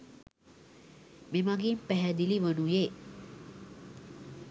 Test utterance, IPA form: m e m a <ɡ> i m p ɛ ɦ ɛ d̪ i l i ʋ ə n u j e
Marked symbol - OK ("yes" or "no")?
yes